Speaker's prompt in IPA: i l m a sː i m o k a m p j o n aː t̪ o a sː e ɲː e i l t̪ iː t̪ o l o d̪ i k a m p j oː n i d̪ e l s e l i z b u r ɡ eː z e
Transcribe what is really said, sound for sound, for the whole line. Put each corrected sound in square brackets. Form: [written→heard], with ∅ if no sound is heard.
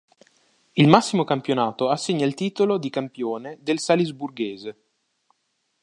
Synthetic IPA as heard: i l m a sː i m o k a m p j o n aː t̪ o a sː e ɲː [e→a] i l t̪ iː t̪ o l o d̪ i k a m p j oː n [i→e] d̪ e l s [e→a] l i z b u r ɡ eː z e